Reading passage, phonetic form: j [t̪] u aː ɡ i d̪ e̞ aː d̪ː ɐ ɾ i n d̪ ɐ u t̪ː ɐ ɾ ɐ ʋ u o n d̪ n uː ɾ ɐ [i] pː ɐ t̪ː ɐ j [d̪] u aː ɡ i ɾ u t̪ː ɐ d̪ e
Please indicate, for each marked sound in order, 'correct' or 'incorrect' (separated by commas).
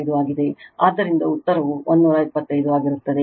incorrect, correct, correct